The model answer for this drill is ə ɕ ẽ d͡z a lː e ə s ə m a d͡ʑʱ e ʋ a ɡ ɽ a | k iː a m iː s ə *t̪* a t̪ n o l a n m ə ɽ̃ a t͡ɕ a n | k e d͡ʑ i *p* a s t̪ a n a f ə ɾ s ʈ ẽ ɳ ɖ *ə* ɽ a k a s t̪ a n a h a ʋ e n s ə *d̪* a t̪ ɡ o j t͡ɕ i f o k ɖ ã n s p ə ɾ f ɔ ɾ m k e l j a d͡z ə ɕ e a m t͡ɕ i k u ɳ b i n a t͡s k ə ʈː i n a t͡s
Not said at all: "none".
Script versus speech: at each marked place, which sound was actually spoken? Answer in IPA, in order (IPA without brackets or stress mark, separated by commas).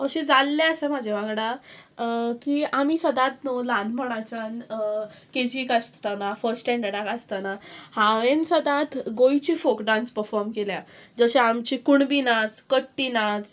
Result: d̪, k, ə, d̪